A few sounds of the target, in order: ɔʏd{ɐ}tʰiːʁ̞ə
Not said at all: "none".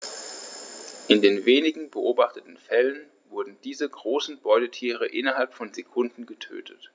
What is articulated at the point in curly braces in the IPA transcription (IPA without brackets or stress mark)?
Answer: ə